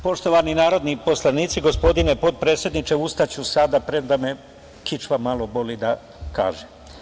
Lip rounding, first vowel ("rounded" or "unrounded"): rounded